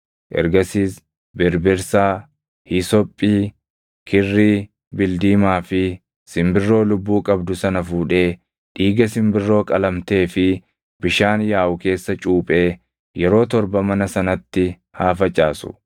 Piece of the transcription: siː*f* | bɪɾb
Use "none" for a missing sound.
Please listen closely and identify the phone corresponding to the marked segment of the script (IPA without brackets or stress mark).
s